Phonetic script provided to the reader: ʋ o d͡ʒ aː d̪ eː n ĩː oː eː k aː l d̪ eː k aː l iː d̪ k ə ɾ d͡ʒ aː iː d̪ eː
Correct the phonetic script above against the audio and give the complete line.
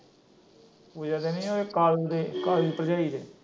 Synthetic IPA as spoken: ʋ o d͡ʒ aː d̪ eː n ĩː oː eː k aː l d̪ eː k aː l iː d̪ p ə ɾ d͡ʒ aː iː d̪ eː